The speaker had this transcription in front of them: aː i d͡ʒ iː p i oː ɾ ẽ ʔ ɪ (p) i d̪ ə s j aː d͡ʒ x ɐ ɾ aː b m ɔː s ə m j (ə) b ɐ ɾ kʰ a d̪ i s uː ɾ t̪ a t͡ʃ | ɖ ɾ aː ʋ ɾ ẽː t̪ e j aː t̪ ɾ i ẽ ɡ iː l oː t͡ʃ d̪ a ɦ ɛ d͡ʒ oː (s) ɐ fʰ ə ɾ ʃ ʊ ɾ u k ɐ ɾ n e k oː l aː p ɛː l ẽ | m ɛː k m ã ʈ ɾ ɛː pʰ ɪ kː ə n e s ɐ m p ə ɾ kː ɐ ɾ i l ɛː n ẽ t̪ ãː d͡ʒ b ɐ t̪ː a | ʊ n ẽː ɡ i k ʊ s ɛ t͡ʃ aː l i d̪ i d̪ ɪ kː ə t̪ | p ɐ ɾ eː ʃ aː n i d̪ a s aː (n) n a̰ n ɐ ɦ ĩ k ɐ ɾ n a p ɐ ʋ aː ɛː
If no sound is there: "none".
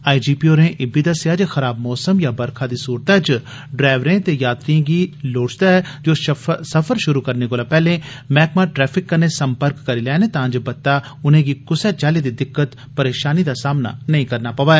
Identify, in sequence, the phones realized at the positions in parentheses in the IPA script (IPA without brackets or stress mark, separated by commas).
b, a, s, m